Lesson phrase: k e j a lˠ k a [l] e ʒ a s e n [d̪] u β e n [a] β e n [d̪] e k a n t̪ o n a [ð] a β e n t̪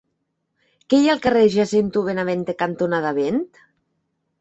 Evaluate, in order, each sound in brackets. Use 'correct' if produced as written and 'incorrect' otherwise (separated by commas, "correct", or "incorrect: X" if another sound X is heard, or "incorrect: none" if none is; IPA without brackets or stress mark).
incorrect: r, incorrect: t̪, correct, incorrect: t̪, correct